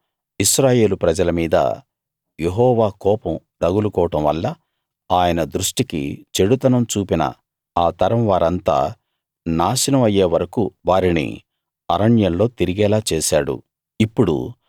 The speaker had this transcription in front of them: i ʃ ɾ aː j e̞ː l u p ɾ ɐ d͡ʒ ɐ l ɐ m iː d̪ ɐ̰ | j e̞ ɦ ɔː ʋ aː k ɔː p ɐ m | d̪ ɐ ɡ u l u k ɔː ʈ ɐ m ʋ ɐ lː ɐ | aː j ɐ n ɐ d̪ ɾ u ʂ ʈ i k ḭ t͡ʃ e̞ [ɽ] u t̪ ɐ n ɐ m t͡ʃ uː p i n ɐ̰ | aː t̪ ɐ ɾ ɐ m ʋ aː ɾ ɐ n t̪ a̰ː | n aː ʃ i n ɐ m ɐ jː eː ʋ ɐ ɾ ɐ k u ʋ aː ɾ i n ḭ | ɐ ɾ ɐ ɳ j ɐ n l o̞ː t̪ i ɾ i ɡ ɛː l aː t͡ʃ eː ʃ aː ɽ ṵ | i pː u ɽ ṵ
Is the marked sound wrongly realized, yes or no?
no